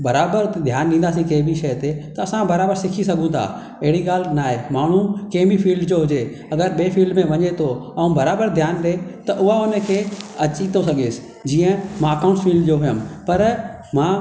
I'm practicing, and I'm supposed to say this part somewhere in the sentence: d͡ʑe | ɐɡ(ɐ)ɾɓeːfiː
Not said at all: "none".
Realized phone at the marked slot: ə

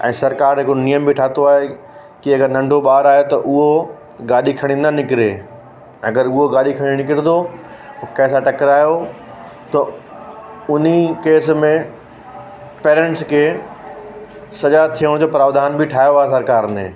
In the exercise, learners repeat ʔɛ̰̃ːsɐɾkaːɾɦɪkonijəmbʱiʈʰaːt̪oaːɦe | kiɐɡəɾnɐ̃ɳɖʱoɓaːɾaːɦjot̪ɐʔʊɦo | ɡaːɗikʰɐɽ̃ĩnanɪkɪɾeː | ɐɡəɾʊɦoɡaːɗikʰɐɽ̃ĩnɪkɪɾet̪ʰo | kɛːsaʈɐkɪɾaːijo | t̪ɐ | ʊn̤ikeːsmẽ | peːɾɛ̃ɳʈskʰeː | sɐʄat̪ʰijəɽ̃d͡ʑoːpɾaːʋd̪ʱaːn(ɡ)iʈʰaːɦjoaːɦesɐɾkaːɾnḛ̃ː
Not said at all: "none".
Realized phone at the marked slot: b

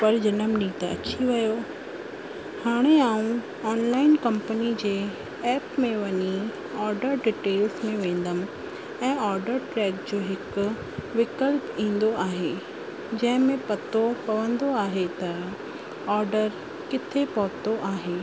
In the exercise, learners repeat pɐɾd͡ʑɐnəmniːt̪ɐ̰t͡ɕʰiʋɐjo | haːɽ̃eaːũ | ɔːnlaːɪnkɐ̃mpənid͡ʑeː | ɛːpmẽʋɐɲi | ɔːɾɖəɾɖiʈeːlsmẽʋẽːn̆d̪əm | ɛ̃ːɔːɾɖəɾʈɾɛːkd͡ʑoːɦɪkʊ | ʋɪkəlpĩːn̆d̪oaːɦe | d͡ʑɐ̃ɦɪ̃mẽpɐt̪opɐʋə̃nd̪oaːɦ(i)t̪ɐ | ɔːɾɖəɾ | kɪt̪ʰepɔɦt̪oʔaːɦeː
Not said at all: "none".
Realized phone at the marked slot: e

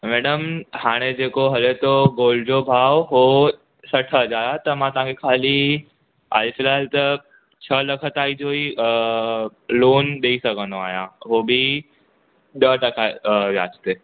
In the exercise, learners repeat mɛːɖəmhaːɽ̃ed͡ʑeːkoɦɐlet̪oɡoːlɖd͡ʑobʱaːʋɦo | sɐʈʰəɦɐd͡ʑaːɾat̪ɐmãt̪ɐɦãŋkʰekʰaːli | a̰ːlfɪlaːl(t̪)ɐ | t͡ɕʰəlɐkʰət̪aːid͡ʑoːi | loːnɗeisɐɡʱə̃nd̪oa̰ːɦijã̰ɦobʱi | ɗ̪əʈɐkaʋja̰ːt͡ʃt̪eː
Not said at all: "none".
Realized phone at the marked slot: t̪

